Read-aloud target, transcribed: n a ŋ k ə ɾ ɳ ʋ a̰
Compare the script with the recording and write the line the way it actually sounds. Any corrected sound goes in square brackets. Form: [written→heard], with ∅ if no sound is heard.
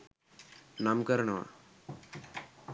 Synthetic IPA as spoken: n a [ŋ→m] k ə ɾ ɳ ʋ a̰